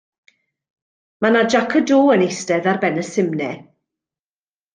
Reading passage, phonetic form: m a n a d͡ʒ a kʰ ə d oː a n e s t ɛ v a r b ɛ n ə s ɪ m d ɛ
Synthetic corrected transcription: m a n a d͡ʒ a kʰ ə d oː ə n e s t ɛ ð a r b ɛ n ə s ɪ m n ɛ